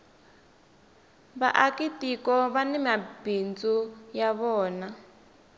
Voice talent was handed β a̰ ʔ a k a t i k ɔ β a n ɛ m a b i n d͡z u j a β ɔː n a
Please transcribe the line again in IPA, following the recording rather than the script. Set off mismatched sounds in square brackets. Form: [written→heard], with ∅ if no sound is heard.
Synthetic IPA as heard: β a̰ ʔ a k [a→i] t i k ɔ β a n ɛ m a b i n d͡z u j a β ɔː n a